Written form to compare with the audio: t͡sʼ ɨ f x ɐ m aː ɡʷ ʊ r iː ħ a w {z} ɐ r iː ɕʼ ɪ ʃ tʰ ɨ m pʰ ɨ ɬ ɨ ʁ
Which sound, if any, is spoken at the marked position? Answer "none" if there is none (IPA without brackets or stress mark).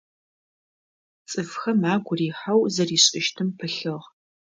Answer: z